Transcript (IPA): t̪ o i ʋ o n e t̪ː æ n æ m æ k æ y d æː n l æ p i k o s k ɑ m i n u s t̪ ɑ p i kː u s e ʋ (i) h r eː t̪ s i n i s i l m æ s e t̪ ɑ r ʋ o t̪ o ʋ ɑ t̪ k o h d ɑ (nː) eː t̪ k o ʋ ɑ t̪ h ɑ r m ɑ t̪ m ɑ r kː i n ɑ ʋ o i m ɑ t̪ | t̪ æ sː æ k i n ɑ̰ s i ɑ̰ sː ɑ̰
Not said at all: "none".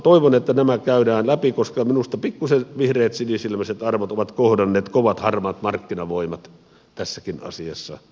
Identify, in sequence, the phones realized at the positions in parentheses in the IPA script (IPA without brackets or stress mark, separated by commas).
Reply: i, nː